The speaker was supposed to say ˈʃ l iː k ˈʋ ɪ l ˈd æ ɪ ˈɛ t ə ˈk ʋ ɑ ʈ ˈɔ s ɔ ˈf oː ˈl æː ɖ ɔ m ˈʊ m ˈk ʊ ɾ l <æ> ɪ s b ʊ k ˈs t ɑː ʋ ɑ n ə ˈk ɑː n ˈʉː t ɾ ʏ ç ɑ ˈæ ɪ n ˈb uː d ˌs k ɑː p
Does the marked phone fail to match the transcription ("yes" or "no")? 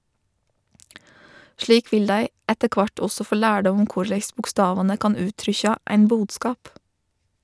no